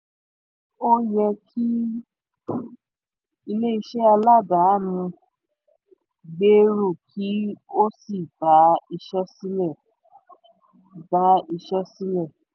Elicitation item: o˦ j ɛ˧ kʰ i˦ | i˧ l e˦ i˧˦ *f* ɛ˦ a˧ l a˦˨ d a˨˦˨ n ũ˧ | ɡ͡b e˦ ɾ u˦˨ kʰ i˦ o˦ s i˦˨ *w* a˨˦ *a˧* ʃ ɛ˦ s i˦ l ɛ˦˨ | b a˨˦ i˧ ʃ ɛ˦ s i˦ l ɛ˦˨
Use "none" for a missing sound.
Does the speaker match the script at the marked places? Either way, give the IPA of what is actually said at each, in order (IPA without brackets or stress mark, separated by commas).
ʃ, b, i˧